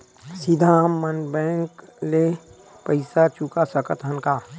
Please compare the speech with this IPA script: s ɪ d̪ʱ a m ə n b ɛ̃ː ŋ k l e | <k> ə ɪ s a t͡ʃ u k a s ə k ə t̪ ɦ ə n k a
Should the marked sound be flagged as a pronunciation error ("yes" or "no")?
yes